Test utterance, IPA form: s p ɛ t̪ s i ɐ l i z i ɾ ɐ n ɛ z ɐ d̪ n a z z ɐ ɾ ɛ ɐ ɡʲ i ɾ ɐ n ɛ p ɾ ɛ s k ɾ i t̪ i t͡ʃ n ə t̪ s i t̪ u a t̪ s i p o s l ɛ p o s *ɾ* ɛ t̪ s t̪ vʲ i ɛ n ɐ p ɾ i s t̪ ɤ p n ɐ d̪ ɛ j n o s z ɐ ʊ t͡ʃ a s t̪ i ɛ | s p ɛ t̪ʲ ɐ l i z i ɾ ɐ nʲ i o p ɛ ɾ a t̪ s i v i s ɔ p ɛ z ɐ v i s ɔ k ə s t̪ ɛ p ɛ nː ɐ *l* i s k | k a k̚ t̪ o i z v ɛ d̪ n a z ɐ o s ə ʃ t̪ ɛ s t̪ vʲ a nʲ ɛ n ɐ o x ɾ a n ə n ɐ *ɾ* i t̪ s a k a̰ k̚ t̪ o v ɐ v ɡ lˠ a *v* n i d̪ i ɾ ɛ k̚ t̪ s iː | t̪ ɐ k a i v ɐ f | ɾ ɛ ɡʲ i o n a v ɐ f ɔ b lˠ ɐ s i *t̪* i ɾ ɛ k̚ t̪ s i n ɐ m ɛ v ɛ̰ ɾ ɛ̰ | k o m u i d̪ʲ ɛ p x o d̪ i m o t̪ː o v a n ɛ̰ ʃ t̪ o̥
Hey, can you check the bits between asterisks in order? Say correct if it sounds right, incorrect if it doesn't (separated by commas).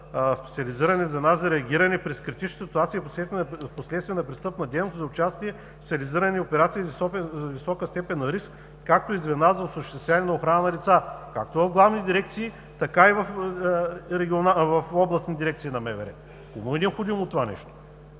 incorrect, incorrect, incorrect, correct, incorrect